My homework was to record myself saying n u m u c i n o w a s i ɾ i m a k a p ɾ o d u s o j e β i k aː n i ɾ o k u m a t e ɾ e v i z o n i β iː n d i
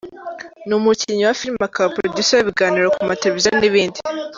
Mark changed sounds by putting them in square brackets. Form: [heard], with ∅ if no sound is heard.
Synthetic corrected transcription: n u m u c i [ɲ] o w a [f] i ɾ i m a k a p ɾ o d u s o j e β i [ɡ] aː n i ɾ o k u m a t e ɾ e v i z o n i β iː n d i